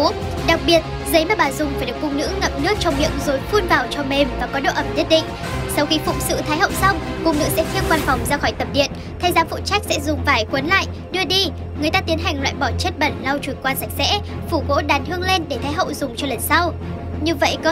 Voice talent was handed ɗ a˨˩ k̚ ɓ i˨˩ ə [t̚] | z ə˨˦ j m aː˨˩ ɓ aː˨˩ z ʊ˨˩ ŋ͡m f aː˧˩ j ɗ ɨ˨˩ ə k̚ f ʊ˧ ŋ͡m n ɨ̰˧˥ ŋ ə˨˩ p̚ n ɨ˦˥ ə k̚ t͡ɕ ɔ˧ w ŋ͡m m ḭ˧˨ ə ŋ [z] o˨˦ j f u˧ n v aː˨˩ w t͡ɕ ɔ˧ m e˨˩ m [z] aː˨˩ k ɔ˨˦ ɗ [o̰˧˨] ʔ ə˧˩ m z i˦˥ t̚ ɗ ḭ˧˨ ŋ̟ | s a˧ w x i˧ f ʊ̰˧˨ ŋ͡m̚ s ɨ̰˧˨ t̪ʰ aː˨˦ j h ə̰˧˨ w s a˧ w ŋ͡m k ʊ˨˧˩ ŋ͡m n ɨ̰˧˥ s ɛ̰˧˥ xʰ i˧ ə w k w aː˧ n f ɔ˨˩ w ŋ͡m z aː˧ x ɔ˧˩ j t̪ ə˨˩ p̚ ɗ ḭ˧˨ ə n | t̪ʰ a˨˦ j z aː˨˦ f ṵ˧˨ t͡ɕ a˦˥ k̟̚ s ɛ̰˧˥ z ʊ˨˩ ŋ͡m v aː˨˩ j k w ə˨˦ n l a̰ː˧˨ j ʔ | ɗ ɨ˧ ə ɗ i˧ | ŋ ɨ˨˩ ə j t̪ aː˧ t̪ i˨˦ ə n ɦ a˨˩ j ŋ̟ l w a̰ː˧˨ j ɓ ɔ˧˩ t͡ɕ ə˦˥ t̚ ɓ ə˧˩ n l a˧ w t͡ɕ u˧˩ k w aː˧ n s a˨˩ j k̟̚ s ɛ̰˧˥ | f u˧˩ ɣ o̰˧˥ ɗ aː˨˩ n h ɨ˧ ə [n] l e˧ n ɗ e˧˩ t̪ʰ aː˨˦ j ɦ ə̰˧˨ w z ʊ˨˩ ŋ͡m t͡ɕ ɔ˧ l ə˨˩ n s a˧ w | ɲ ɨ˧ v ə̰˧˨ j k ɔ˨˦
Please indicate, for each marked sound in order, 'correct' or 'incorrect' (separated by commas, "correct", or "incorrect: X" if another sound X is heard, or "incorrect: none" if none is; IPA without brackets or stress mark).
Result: correct, correct, incorrect: v, correct, incorrect: ŋ